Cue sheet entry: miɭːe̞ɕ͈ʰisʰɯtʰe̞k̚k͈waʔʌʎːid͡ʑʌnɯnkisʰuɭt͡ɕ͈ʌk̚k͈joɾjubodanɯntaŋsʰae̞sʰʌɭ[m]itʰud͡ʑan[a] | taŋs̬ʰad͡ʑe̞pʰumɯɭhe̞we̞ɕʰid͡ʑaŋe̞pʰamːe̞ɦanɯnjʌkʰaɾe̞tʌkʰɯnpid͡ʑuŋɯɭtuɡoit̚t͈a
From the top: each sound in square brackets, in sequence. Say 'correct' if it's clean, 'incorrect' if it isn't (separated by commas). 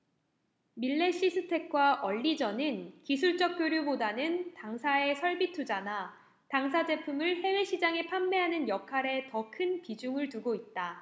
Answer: incorrect, correct